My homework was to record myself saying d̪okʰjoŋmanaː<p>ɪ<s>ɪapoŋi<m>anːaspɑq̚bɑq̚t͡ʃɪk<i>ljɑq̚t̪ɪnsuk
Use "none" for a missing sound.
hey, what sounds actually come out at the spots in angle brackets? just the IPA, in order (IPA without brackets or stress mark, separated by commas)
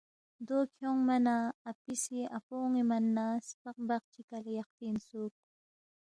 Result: p, s, m, a